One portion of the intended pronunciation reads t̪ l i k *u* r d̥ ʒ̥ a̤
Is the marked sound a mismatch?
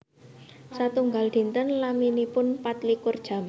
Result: yes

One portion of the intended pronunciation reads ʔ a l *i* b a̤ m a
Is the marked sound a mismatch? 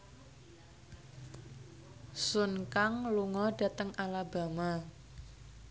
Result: yes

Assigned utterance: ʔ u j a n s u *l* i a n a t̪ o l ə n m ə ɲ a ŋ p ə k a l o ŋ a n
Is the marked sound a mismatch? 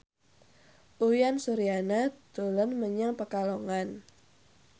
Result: yes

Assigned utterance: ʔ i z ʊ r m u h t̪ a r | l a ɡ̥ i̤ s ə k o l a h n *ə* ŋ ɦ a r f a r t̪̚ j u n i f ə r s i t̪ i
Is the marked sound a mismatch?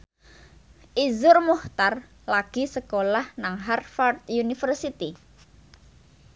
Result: yes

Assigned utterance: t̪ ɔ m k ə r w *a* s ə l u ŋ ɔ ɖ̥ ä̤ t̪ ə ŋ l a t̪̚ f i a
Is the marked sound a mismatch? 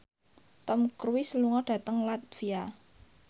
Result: yes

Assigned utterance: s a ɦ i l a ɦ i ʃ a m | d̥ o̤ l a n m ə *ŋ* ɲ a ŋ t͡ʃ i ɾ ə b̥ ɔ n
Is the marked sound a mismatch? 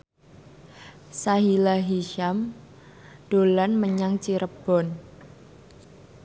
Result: yes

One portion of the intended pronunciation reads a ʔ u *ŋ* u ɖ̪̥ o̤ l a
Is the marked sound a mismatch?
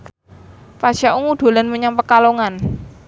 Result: no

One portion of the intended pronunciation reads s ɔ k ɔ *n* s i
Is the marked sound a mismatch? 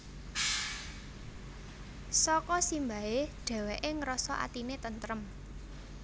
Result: yes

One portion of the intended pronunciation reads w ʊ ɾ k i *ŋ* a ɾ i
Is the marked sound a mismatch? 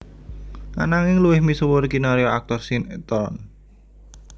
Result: yes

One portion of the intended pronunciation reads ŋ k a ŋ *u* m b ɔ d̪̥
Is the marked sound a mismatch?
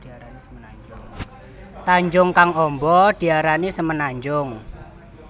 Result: yes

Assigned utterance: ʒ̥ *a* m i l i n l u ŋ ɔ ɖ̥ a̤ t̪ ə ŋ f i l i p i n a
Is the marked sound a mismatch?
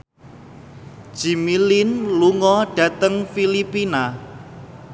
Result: yes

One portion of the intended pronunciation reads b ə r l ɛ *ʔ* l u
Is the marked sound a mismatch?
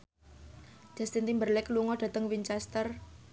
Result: yes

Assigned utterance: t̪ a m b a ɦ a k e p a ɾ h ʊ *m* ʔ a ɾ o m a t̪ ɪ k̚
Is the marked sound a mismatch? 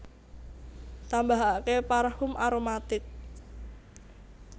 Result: no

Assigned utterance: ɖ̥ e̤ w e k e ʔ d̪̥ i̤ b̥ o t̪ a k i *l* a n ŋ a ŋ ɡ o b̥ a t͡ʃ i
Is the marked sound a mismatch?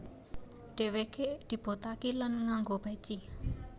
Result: no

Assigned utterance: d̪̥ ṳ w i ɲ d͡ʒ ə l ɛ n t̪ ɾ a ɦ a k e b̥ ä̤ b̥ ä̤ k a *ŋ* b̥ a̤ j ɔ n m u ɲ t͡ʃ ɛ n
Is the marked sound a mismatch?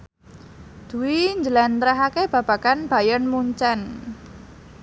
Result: yes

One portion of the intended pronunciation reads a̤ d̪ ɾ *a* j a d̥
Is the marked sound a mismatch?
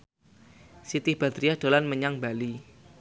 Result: yes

